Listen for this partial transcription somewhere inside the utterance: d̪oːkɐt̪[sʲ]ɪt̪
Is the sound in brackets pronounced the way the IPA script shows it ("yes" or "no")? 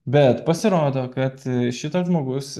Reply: no